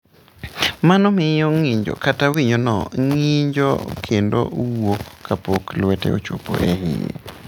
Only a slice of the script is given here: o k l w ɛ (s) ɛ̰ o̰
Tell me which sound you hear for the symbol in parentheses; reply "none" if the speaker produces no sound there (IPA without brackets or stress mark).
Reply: t